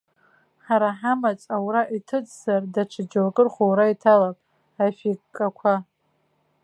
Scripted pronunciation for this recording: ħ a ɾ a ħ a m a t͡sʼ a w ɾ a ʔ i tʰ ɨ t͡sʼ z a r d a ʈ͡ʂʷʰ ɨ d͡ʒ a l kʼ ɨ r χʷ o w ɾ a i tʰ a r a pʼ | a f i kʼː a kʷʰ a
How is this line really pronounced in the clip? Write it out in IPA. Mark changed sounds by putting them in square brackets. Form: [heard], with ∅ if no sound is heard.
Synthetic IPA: ħ a ɾ a ħ a m a t͡sʼ a w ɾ a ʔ i tʰ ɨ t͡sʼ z a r d a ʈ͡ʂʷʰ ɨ d͡ʒ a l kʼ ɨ r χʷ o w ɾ a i tʰ a [l] a pʼ | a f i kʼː a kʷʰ a